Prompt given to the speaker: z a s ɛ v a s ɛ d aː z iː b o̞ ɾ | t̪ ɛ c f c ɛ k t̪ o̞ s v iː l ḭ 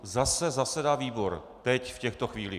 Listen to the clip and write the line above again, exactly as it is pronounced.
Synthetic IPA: z a s ɛ z a s ɛ d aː v iː b o̞ ɾ | t̪ ɛ c f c ɛ x t̪ o̞ x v iː l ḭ